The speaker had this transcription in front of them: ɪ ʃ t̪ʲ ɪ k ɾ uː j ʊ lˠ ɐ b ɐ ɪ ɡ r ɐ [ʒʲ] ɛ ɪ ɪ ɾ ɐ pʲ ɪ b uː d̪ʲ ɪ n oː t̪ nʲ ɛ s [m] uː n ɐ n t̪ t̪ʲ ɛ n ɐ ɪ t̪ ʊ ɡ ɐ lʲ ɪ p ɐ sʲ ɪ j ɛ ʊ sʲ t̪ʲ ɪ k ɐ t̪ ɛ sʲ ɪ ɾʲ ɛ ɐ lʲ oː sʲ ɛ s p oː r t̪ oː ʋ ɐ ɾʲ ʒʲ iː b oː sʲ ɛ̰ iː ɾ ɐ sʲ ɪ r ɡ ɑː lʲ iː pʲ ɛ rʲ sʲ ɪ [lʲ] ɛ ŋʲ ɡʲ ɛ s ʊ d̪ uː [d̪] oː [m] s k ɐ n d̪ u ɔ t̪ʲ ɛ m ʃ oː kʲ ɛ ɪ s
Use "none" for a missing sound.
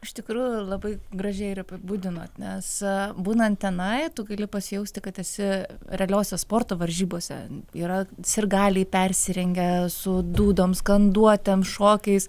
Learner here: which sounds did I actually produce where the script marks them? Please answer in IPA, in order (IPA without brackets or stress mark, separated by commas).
ʒʲ, b, ɾʲ, d̪, m